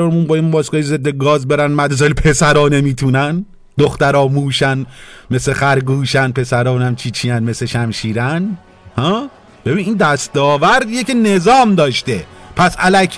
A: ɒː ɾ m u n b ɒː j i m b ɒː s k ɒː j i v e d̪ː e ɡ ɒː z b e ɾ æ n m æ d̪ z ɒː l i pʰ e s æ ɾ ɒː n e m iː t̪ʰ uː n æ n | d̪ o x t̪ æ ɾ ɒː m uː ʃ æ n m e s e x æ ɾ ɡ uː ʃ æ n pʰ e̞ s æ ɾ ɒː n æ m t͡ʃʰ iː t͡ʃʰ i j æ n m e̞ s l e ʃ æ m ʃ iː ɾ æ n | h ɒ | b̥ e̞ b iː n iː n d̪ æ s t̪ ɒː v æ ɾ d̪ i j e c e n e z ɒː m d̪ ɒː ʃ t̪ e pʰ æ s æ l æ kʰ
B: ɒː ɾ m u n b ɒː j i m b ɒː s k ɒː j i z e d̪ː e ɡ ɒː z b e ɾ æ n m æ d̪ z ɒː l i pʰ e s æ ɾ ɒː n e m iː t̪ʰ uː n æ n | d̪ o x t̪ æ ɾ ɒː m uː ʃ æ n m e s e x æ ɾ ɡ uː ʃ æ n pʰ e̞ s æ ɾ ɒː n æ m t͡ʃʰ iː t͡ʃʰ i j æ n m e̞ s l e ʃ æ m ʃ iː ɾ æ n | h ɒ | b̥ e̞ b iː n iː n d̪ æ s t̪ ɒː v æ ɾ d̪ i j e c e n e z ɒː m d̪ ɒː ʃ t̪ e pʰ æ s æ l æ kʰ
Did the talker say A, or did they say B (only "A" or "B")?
B